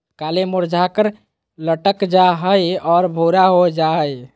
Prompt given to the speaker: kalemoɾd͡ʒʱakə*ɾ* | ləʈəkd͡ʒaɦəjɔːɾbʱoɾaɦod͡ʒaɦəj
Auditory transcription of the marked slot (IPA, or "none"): ɾ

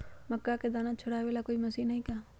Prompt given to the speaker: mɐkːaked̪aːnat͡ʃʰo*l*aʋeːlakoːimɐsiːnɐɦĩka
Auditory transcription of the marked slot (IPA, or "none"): ɽ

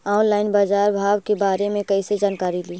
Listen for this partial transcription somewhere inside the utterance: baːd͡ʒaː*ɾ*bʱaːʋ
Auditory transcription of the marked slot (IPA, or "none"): ɾ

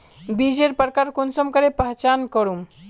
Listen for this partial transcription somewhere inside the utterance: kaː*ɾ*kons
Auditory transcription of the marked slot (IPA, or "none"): ɾ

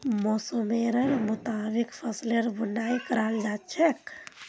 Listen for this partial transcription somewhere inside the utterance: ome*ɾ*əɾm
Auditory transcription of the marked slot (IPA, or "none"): ɾ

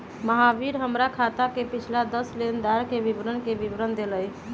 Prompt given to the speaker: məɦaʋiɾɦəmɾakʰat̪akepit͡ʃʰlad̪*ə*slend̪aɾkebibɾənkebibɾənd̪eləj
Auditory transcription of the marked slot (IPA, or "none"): ə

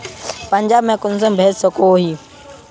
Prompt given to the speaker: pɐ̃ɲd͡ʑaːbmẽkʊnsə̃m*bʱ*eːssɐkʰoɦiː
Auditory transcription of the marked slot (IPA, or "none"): bʱ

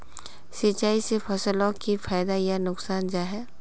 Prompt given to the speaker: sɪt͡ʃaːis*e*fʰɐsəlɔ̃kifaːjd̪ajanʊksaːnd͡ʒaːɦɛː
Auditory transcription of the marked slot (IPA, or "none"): e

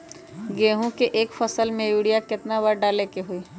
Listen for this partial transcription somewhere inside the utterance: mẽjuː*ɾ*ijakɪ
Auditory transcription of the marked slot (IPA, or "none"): ɽ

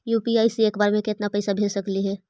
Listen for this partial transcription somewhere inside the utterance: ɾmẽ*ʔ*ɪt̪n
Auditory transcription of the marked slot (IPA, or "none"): k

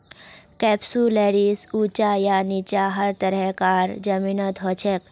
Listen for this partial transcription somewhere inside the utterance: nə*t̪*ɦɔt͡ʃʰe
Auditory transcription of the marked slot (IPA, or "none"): t̪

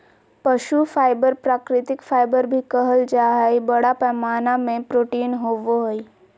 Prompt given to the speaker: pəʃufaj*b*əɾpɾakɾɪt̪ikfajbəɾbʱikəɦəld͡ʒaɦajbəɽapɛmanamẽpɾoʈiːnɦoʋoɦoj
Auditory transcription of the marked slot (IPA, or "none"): b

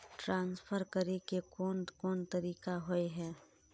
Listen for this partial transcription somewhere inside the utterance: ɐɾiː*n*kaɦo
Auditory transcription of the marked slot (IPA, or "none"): none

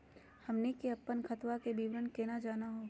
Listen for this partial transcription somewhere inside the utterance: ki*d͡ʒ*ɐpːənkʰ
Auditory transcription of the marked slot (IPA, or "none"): none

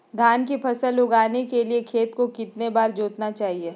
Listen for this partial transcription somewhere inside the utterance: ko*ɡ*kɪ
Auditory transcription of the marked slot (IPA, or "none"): none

